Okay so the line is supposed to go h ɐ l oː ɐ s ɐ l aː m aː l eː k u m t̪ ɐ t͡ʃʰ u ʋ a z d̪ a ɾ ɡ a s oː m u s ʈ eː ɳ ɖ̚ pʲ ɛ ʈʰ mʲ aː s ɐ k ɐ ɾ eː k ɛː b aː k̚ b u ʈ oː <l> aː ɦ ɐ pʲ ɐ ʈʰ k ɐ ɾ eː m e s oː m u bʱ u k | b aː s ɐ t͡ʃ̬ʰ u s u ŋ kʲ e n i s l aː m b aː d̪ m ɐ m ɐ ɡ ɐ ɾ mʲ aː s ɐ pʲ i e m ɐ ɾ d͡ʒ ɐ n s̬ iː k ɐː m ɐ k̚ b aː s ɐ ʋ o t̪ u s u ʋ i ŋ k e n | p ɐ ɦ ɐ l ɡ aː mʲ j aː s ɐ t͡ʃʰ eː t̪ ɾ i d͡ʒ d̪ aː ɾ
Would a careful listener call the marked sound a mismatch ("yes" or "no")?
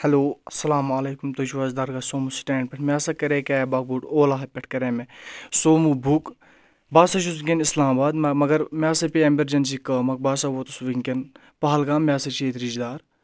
no